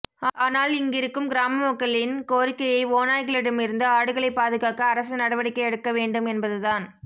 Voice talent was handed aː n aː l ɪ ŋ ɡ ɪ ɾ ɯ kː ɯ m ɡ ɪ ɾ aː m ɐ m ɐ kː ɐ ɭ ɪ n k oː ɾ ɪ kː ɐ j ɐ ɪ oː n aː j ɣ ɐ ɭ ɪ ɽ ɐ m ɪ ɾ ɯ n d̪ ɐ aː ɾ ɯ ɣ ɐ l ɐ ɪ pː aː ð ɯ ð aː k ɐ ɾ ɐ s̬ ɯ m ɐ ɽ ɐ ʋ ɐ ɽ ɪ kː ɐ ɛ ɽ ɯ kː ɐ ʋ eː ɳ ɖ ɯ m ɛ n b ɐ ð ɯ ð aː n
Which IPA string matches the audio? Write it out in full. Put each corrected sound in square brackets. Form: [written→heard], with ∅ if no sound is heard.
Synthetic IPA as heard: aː n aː l ɪ ŋ ɡ ɪ ɾ ɯ kː ɯ m ɡ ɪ ɾ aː m ɐ m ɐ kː ɐ ɭ ɪ n k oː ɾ ɪ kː ɐ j ɐ ɪ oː n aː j ɣ ɐ ɭ ɪ ɽ ɐ m ɪ ɾ ɯ n d̪ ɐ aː [ɾ→ɽ] ɯ ɣ ɐ [l→ɭ] ɐ ɪ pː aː ð ɯ [ð→ɣ] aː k [ɐ→ɐː] ɾ ɐ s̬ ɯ [m→n] ɐ ɽ ɐ ʋ ɐ ɽ ɪ kː ɐ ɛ ɽ ɯ kː ɐ ʋ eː ɳ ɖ ɯ m ɛ n b ɐ ð ɯ ð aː n